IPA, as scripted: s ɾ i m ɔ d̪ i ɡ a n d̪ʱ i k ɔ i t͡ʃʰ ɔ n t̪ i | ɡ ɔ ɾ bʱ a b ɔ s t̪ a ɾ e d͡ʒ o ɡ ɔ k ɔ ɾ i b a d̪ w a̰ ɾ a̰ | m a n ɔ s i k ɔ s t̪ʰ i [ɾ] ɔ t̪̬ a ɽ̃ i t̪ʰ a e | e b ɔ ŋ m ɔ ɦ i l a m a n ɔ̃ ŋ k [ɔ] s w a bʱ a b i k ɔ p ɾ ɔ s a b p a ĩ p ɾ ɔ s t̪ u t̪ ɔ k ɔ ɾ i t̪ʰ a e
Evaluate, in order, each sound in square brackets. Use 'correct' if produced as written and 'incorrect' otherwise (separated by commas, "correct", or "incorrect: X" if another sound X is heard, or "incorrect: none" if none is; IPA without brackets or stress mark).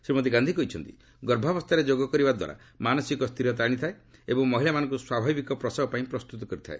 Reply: correct, incorrect: u